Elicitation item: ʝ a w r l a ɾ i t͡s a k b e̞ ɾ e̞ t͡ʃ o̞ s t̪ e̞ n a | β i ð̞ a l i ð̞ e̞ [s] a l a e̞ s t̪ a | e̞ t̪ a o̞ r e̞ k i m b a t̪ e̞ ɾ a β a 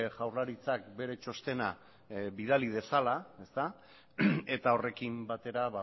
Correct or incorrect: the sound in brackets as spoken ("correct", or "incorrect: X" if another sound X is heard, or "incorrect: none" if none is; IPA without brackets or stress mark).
correct